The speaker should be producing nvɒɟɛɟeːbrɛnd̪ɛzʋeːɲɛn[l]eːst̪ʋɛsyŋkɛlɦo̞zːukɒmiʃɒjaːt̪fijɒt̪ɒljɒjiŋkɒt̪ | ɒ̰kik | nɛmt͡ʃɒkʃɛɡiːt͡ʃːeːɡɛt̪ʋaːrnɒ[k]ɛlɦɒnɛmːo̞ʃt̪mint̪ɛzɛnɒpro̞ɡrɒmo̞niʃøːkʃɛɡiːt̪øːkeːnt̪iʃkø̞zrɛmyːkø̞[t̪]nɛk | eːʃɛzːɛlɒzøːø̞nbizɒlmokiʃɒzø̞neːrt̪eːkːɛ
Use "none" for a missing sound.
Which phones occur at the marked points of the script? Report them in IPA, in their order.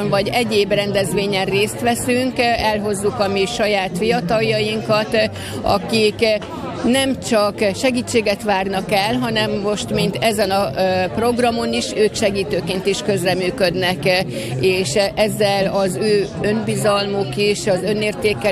r, k, d̪

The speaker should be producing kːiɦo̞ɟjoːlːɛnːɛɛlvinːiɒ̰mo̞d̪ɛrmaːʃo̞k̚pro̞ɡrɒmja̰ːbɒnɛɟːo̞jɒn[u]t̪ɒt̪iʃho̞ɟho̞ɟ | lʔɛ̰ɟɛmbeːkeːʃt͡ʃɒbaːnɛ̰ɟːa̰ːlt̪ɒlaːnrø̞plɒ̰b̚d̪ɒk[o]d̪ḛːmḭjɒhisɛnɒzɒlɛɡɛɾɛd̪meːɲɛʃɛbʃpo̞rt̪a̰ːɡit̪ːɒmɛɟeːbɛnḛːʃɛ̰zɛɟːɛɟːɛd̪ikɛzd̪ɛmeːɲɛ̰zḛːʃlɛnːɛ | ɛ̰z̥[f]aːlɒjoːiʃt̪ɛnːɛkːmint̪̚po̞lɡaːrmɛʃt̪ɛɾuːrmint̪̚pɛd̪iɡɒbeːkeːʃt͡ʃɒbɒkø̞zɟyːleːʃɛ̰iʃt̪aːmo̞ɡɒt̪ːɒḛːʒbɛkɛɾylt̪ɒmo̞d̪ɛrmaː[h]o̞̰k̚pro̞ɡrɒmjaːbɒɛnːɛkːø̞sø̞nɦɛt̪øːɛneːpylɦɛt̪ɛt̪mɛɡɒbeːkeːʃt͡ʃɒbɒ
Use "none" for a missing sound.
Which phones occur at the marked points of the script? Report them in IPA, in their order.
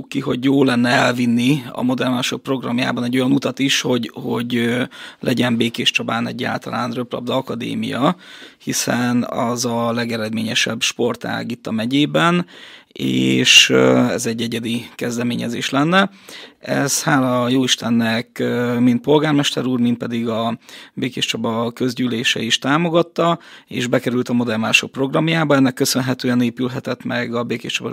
u, ɒ, h, ʃ

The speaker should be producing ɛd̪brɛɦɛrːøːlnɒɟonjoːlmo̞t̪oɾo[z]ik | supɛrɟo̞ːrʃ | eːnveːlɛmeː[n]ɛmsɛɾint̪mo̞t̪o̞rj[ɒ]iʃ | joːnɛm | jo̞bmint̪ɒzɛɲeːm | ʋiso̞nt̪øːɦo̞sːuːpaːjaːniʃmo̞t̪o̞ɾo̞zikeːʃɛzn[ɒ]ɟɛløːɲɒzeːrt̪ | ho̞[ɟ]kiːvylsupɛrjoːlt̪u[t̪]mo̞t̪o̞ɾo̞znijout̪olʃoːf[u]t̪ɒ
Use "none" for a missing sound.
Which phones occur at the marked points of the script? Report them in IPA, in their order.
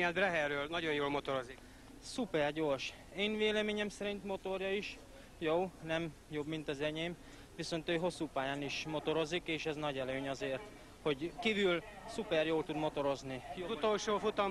z, ɲ, ɒ, ɒ, ɟ, d̪, u

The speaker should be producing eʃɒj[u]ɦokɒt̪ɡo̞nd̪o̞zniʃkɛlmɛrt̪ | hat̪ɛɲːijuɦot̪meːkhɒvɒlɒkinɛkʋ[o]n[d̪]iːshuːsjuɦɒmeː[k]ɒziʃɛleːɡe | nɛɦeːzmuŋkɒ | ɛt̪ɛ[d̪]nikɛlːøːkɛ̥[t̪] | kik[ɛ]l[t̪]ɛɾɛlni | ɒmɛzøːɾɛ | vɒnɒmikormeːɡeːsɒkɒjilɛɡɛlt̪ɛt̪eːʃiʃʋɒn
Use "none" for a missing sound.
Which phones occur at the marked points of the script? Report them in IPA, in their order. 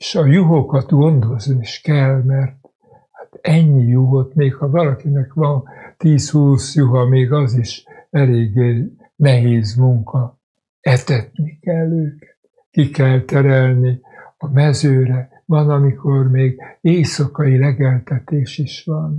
u, ɒ, t̪, ɡ, t̪, t̪, ɛ, t̪

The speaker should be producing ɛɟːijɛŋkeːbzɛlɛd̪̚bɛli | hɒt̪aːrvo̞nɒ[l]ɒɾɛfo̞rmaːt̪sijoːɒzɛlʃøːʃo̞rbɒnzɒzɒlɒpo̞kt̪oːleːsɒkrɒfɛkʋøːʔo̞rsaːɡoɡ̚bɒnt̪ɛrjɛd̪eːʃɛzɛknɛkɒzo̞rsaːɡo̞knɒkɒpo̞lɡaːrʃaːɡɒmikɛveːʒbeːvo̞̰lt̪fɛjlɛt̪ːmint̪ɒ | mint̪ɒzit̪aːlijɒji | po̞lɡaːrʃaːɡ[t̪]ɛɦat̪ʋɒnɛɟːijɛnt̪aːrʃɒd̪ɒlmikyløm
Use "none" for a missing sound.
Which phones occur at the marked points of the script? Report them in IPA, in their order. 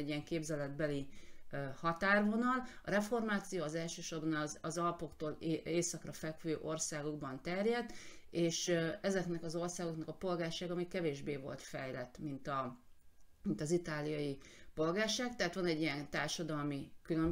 l, t̪

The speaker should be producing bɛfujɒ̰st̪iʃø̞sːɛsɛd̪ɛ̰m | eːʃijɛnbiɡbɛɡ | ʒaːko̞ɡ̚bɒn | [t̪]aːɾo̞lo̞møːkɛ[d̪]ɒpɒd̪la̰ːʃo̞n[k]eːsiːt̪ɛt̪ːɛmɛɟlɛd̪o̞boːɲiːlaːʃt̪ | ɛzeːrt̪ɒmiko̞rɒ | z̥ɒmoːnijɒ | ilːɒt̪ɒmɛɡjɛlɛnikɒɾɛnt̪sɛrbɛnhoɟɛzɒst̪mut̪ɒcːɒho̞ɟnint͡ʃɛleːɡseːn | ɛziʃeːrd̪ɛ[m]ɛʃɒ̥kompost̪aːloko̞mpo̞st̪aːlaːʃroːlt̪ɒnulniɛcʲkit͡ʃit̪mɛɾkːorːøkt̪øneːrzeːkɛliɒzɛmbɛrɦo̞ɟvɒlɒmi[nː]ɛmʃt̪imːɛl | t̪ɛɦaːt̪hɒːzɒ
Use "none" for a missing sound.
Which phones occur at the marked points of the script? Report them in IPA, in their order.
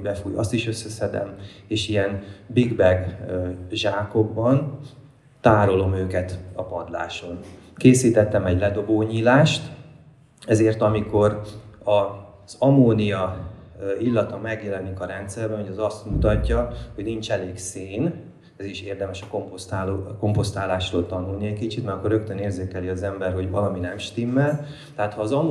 t̪, t̪, k, m, n

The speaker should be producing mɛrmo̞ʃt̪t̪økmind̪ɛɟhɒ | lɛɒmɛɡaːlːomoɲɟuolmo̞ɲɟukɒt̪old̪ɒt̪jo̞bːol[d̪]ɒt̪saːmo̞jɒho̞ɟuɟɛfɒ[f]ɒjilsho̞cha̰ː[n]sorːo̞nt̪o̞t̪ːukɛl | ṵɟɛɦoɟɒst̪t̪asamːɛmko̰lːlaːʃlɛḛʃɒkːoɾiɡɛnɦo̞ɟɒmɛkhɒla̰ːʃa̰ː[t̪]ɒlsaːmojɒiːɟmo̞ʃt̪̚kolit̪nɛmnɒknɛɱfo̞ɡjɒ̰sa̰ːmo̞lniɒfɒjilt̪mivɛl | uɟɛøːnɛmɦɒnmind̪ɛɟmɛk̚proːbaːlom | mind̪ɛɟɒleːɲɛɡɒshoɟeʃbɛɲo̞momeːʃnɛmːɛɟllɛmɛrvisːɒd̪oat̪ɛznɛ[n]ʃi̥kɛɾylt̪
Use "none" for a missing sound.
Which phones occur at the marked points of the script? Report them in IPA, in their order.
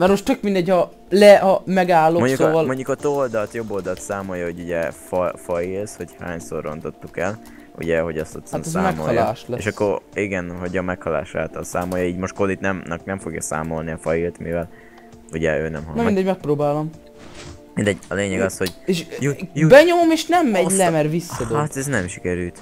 d̪, f, ɲ, t̪, m

